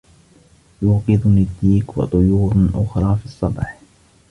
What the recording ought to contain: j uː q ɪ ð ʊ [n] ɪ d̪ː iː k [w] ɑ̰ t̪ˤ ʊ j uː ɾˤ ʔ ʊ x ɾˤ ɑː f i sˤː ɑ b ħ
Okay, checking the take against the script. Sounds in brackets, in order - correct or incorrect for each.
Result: correct, correct

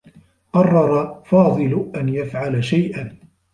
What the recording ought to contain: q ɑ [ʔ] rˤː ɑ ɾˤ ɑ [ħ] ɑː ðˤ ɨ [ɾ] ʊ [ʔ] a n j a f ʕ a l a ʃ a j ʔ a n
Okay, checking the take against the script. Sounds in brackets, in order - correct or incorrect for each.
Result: incorrect: none, incorrect: f, incorrect: l, correct

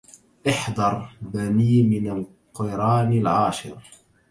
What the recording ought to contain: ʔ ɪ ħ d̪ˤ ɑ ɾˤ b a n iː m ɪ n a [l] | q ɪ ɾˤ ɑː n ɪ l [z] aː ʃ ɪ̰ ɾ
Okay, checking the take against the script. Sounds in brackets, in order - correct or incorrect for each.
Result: correct, incorrect: ʕ

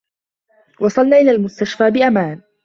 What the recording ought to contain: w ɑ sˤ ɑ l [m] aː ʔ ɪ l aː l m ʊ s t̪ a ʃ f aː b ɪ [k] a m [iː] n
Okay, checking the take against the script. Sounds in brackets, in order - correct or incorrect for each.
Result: incorrect: n, incorrect: ʔ, incorrect: aː

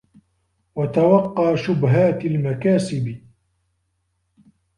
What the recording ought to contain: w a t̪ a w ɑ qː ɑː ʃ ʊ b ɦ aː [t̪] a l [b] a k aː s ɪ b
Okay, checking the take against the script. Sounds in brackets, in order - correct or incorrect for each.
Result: correct, incorrect: m

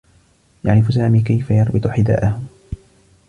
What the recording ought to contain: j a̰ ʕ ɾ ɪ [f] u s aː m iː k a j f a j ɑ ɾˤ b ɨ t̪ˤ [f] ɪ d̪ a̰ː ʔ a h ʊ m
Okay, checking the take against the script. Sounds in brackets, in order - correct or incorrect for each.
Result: correct, incorrect: ħ

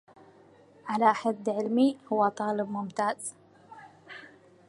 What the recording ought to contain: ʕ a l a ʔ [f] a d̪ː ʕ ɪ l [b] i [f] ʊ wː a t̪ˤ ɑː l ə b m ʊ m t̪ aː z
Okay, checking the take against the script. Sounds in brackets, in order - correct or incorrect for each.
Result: incorrect: ħ, incorrect: m, incorrect: h

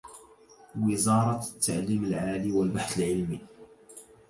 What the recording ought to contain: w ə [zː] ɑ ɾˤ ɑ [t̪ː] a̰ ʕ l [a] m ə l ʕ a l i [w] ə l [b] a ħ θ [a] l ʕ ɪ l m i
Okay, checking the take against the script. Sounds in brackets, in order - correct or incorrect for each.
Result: incorrect: z, correct, incorrect: i, correct, correct, incorrect: ə

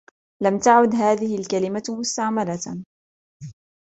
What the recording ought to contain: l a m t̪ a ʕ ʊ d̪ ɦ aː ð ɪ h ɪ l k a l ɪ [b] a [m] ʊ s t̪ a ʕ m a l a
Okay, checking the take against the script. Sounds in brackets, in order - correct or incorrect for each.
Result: incorrect: m, correct

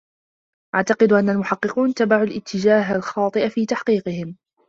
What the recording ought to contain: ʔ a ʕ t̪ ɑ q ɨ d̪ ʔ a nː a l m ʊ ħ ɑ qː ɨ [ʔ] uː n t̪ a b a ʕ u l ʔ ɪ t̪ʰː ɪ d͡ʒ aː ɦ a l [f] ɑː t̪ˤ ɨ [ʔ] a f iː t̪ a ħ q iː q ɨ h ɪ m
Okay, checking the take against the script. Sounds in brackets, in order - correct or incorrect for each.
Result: incorrect: q, incorrect: x, correct

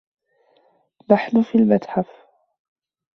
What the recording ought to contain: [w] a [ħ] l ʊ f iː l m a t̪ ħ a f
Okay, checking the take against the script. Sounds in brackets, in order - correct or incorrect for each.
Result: incorrect: b, correct

